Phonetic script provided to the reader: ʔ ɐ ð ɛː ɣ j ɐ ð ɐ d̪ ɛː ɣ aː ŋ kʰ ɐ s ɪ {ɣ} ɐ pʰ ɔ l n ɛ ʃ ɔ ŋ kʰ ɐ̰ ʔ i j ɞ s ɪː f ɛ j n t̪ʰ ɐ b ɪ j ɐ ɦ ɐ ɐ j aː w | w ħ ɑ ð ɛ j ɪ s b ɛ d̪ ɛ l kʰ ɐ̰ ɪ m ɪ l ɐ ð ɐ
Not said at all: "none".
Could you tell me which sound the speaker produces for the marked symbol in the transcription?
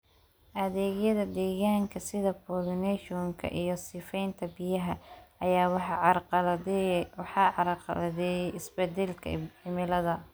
ð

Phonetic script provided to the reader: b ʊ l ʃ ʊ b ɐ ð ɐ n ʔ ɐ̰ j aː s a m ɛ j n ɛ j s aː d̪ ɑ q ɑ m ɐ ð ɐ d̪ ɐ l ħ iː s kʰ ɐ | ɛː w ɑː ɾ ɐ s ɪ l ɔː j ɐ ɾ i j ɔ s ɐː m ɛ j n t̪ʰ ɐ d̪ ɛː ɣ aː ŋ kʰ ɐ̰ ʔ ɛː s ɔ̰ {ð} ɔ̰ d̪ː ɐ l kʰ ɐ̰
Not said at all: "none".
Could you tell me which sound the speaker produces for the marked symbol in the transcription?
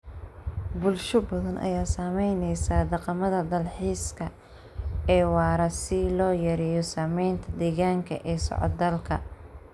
ʕ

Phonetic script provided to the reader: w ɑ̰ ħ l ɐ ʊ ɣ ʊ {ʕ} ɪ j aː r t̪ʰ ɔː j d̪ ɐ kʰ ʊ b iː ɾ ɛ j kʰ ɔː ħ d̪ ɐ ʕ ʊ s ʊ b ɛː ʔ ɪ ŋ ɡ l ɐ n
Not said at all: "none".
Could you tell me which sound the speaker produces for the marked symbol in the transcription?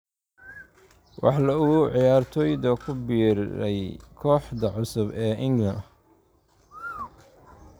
ʕ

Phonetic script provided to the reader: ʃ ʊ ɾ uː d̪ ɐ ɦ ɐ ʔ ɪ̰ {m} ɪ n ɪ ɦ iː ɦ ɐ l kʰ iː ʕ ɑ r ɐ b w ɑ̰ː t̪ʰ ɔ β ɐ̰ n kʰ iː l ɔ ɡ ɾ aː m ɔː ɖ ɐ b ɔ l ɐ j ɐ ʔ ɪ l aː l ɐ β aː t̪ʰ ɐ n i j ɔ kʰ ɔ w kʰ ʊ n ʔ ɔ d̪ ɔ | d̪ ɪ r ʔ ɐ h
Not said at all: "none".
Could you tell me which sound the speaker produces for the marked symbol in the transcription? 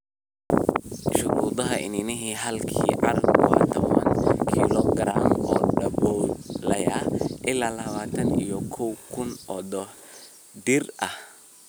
n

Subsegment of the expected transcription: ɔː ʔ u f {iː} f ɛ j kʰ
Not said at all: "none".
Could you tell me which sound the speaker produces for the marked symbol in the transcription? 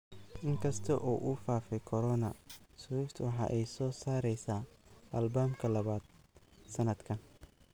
aː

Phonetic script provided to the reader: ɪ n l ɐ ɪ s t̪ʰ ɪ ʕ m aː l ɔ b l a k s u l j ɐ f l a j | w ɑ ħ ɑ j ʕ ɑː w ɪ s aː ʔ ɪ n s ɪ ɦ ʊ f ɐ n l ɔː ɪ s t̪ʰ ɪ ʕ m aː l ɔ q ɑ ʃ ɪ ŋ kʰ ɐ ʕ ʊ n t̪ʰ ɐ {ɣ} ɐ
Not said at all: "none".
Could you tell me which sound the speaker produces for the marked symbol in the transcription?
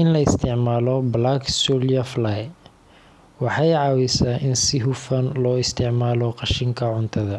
ð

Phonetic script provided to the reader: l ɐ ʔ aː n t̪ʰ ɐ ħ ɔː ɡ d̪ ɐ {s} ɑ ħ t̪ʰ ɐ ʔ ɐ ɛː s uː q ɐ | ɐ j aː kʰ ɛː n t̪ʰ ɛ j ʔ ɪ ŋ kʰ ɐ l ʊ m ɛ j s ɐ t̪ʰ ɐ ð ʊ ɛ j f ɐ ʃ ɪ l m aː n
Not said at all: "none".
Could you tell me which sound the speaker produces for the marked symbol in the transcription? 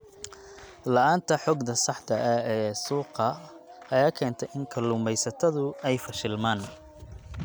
s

